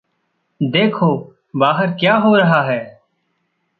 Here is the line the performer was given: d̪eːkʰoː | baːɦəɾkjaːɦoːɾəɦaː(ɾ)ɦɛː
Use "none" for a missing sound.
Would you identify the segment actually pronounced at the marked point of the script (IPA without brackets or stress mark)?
none